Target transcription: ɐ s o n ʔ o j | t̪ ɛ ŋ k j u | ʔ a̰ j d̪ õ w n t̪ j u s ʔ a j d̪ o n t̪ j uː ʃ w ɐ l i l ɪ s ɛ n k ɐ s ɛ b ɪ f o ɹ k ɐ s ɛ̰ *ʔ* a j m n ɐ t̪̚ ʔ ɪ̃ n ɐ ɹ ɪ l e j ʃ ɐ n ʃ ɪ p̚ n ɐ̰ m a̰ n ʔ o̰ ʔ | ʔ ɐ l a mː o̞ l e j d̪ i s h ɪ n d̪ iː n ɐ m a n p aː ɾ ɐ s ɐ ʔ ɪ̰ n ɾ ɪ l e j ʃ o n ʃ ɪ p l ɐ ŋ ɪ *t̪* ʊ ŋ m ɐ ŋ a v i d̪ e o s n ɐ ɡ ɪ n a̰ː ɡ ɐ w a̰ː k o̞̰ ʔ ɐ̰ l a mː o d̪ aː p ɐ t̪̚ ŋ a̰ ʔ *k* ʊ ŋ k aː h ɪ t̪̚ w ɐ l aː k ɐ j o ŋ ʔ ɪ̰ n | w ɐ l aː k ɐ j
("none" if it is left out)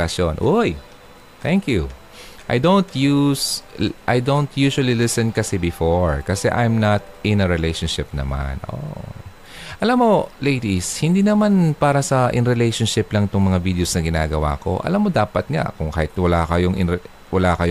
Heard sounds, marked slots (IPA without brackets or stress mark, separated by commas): ʔ, t̪, k